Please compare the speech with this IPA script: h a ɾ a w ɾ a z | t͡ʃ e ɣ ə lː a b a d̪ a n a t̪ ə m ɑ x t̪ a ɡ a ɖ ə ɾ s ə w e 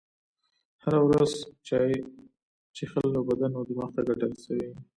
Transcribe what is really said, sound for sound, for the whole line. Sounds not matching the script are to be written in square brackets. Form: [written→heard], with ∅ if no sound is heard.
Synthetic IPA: h a ɾ a w ɾ a z | t͡ʃ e [ɣ→x] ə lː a b a d̪ a n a [t̪→d̪] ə m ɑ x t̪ a ɡ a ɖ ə [ɾ→l] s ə w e